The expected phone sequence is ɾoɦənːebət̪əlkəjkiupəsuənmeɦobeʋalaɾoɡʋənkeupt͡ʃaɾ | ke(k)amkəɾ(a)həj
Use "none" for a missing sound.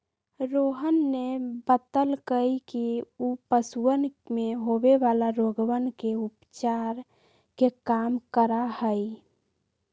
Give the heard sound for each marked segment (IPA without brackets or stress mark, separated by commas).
k, a